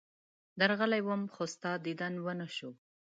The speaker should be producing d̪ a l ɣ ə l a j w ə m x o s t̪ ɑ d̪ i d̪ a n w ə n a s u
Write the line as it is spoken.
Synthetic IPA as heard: d̪ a ɾ ɣ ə l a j w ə m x o s t̪ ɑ d̪ i d̪ a n w ə n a ʃ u